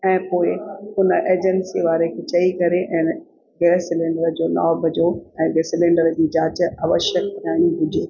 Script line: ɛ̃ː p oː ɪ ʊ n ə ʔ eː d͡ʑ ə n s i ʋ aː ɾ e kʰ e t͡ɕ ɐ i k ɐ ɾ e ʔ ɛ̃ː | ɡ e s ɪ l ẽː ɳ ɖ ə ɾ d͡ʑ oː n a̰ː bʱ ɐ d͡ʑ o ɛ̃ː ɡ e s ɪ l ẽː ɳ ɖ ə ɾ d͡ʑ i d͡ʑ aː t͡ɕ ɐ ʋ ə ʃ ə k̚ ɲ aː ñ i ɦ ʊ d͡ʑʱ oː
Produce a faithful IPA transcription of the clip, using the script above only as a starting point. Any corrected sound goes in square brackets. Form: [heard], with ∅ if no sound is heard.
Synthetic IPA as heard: ɛ̃ː p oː ɪ ʊ n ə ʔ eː d͡ʑ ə n s i ʋ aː ɾ e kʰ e t͡ɕ ɐ i k ɐ ɾ e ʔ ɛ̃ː | ɡ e s ɪ l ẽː ɳ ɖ ə ɾ d͡ʑ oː n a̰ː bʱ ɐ d͡ʑ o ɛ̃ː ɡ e s ɪ l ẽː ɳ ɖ ə ɾ d͡ʑ [iː] d͡ʑ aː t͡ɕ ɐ ʋ ə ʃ ə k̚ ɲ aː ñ i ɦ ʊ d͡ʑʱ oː

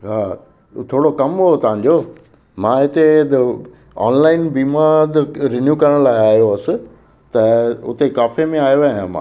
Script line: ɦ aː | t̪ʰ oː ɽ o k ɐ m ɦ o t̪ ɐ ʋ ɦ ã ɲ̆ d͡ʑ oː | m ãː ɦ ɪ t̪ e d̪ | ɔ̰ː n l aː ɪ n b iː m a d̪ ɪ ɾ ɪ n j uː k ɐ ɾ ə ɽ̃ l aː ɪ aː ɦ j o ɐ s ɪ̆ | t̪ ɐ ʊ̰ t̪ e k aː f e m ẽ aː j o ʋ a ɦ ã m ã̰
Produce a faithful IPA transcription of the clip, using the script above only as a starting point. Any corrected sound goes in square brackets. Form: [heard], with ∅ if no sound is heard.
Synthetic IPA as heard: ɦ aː | t̪ʰ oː ɽ o k ɐ m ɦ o t̪ ɐ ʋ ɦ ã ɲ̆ d͡ʑ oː | m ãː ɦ ɪ t̪ e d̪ | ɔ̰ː n l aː ɪ n b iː m a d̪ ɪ ɾ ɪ n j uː k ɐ ɾ ə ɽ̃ l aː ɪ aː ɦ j o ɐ s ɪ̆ | t̪ ɐ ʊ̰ t̪ e k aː f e m ẽ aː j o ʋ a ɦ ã m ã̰

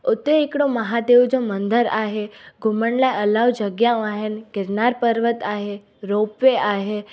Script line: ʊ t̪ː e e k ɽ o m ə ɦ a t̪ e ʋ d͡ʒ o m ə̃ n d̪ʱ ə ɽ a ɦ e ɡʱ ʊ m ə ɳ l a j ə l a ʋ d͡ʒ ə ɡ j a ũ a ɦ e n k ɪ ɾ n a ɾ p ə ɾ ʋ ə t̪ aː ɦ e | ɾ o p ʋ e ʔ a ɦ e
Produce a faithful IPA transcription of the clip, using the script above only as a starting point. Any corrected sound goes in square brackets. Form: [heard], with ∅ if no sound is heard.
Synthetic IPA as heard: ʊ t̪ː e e k ɽ o m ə ɦ a [d̪] e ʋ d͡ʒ o m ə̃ n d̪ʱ ə [ɾ] a ɦ e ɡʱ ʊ m ə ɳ l a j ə l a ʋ d͡ʒ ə ɡ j a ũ a ɦ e n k ɪ ɾ n a ɾ p ə ɾ ʋ ə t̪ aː ɦ e | ɾ o p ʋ e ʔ a ɦ e

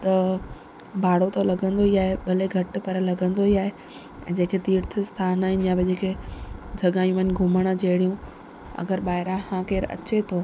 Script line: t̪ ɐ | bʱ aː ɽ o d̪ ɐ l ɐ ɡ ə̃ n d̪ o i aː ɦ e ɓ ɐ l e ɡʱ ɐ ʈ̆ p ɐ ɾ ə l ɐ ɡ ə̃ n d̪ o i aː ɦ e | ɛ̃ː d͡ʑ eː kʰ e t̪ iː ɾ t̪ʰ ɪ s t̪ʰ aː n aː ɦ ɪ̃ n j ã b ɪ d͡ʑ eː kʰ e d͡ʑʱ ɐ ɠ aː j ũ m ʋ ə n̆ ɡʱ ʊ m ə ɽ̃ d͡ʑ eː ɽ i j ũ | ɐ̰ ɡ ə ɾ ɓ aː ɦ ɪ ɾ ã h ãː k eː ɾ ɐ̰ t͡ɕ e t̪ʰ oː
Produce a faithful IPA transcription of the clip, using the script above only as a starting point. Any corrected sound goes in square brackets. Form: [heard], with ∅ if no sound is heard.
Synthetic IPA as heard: t̪ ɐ | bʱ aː ɽ o [t̪] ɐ l ɐ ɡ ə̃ n d̪ o i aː ɦ e ɓ ɐ l e ɡʱ ɐ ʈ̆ p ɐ ɾ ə l ɐ ɡ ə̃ n d̪ o i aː ɦ e | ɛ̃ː d͡ʑ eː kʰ e t̪ iː ɾ t̪ʰ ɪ s t̪ʰ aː n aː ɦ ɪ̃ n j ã b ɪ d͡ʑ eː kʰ e d͡ʑʱ ɐ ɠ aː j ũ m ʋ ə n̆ ɡʱ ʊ m ə ɽ̃ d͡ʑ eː ɽ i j ũ | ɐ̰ ɡ ə ɾ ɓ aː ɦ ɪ ɾ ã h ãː k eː ɾ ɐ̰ t͡ɕ e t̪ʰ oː

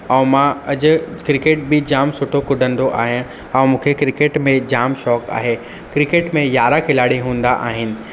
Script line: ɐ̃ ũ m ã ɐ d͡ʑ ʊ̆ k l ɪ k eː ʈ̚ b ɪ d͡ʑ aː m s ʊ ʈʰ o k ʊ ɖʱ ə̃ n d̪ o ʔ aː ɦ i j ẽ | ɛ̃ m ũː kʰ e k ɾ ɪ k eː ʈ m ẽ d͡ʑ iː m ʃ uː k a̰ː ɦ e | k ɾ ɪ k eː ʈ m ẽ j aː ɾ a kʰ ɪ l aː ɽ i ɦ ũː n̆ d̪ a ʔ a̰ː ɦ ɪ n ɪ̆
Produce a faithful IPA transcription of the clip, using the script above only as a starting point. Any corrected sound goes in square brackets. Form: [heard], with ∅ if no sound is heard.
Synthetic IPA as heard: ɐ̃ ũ m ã ɐ d͡ʑ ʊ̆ k [ɾ] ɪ k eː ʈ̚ b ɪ d͡ʑ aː m s ʊ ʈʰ o k ʊ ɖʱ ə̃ n d̪ o ʔ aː ɦ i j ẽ | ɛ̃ m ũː kʰ e k ɾ ɪ k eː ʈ m ẽ d͡ʑ [aː] m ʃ [ɔː] k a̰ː ɦ e | k ɾ ɪ k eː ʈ m ẽ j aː ɾ a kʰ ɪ l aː ɽ i ɦ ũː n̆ d̪ a ʔ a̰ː ɦ ɪ n ɪ̆

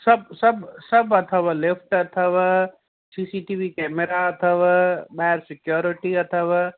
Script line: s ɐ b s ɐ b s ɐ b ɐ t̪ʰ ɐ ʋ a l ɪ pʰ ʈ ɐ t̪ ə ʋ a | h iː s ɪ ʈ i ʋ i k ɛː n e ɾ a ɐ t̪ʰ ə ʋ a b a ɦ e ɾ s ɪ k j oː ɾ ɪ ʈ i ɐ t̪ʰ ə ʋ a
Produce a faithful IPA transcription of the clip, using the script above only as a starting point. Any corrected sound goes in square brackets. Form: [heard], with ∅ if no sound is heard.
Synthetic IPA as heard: s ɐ b s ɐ b s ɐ b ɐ t̪ʰ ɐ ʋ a l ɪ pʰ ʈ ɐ [t̪ʰ] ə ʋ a | [s] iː s [i] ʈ i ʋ i k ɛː [m] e ɾ a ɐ t̪ʰ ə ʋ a b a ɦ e ɾ s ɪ k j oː ɾ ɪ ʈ i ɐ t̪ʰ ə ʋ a

